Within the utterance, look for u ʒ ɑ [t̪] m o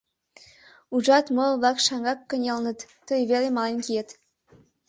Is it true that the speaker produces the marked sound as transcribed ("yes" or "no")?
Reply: yes